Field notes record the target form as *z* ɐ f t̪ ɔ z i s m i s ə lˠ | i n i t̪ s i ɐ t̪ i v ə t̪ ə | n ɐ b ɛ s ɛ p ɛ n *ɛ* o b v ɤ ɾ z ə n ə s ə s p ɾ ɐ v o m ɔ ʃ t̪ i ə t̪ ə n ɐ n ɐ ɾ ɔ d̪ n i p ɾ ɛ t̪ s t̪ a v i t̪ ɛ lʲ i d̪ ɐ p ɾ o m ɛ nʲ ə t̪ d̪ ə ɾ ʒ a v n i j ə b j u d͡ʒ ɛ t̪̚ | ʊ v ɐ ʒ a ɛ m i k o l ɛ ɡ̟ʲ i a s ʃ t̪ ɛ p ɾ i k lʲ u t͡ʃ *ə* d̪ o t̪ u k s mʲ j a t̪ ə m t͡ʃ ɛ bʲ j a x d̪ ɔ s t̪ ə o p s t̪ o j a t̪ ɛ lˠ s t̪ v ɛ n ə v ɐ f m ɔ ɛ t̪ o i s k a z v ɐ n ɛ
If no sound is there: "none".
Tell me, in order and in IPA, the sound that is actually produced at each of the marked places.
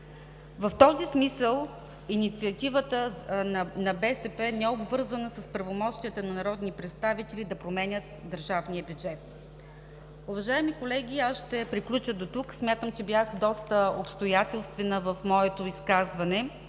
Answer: v, ɛ, ə

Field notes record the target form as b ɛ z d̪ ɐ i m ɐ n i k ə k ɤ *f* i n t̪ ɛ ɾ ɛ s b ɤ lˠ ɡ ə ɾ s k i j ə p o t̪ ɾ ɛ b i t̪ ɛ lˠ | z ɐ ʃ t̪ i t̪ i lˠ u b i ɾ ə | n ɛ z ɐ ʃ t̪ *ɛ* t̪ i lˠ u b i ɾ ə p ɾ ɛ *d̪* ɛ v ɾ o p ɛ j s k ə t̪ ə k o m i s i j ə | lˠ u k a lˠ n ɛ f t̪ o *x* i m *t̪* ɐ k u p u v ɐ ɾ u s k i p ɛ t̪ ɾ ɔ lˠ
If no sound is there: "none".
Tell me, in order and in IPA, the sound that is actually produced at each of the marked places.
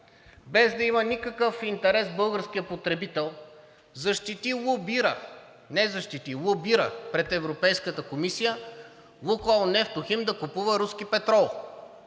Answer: f, i, t̪, x, d̪

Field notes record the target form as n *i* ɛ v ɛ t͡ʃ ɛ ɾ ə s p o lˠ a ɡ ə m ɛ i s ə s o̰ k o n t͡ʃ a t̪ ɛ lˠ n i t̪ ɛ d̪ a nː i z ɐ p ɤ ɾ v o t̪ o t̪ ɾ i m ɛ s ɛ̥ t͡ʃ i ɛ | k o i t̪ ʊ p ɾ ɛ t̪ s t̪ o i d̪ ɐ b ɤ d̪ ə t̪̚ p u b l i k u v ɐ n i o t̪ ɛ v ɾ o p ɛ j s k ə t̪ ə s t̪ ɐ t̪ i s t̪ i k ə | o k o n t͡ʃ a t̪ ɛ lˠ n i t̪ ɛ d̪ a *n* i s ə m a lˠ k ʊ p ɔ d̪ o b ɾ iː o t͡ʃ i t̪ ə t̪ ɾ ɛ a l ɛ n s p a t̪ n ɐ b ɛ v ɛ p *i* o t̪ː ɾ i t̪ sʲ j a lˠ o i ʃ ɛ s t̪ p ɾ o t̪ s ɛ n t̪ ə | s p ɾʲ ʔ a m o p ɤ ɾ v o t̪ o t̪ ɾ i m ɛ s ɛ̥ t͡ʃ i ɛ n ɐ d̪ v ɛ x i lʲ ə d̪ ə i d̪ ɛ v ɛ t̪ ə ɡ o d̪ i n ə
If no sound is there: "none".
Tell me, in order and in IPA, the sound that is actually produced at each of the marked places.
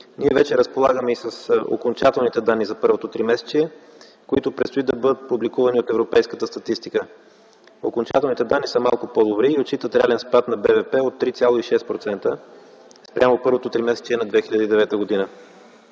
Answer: i, nː, ɛ

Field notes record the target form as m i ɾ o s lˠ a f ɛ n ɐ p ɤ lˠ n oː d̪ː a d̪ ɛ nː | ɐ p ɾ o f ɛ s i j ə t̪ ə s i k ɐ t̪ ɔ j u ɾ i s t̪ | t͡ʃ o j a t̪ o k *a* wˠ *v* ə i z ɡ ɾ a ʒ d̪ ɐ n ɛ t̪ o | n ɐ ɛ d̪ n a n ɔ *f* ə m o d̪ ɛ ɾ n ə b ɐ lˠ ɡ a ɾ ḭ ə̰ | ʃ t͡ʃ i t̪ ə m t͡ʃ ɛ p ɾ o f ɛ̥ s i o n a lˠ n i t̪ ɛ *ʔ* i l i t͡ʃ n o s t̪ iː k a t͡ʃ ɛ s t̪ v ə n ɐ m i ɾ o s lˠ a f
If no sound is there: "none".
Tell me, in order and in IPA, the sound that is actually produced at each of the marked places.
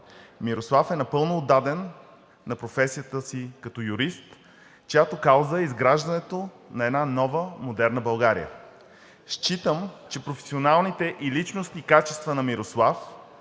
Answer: a, z, v, ʔ

